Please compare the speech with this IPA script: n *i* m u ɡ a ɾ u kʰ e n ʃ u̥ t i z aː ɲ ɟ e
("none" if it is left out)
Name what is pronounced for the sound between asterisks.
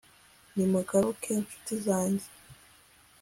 i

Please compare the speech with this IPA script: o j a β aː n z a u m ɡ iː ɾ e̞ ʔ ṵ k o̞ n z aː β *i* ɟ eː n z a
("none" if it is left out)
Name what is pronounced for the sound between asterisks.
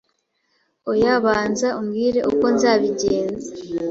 i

